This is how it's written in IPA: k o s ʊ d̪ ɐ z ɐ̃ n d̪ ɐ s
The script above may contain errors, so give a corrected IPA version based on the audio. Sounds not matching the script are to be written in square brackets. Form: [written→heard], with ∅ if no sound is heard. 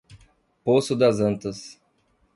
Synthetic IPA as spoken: [k→p] o s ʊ d̪ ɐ z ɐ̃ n [d̪→t̪] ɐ s